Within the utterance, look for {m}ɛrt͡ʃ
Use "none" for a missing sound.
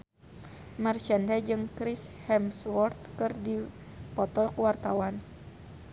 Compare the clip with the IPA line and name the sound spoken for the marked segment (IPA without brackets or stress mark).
m